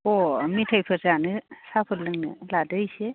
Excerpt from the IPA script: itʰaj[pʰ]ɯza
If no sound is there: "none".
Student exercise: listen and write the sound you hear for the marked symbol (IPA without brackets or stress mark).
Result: pʰ